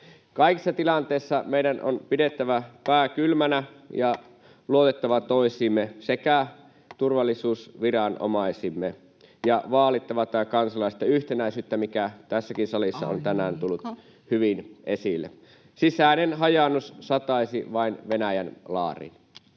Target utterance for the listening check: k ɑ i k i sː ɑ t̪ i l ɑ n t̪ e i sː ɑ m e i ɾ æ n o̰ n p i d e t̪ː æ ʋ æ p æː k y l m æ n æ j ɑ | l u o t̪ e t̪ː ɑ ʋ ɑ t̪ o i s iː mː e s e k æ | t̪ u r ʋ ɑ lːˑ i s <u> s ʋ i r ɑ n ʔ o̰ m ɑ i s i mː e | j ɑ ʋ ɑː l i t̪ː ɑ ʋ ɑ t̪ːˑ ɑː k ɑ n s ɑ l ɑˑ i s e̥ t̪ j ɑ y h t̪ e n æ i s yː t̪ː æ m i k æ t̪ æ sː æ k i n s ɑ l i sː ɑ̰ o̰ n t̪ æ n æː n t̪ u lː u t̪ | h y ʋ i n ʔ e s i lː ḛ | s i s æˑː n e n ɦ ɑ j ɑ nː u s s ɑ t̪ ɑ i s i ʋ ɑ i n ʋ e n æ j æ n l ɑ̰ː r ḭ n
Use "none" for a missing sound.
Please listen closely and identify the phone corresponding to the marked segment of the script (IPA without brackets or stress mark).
uː